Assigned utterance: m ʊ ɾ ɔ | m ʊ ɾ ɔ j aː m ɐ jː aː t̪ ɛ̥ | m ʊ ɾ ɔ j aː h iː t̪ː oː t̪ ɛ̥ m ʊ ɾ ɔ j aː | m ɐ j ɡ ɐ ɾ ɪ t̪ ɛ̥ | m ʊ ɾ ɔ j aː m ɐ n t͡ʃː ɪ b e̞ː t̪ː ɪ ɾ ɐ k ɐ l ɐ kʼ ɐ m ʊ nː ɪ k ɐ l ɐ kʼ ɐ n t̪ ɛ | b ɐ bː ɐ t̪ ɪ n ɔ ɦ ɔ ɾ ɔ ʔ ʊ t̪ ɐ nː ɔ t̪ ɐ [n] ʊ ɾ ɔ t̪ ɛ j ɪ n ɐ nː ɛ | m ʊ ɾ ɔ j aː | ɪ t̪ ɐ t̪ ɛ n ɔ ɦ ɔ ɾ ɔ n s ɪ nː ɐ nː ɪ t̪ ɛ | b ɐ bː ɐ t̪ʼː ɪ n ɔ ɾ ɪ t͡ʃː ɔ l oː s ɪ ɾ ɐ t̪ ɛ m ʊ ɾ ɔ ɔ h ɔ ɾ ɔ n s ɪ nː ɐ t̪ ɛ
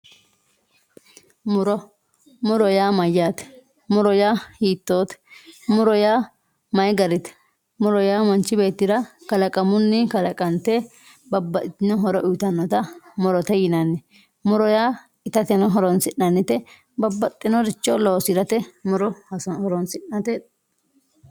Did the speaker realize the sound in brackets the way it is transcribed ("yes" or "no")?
no